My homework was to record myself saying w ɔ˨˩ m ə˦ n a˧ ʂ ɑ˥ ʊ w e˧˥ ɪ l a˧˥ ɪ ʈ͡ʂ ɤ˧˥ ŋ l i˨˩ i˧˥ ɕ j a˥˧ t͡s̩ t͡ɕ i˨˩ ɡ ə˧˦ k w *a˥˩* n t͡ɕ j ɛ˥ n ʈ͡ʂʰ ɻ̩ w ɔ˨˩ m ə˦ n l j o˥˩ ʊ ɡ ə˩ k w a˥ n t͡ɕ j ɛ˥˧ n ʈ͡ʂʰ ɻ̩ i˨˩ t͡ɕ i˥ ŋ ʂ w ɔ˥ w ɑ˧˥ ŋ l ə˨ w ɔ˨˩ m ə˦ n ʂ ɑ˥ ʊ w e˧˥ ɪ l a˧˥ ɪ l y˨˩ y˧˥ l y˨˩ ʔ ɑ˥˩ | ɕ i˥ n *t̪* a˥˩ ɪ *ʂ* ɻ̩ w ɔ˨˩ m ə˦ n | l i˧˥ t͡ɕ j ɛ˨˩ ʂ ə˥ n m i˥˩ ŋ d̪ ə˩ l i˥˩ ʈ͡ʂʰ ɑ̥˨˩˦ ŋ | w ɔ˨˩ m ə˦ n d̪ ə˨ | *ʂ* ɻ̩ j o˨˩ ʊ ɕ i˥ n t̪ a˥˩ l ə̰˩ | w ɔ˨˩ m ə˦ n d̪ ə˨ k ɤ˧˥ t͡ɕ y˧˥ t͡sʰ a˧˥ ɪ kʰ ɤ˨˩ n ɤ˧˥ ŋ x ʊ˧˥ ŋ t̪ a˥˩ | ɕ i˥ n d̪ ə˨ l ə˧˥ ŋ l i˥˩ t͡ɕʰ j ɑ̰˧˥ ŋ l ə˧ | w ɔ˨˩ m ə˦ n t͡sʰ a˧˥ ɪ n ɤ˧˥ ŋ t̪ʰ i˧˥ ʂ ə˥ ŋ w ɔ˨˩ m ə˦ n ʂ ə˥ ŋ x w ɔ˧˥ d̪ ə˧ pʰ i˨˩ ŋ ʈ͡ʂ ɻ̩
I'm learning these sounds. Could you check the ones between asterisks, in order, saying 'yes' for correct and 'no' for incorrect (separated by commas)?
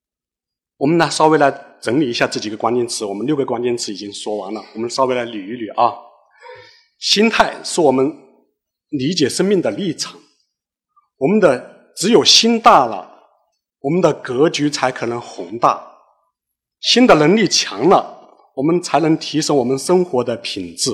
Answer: no, no, yes, no